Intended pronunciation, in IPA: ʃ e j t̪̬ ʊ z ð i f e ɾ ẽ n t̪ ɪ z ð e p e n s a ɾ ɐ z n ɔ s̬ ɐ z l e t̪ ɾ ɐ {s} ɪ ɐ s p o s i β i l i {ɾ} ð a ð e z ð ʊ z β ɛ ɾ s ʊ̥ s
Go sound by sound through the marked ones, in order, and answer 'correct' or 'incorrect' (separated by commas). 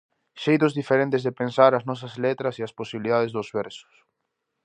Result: correct, incorrect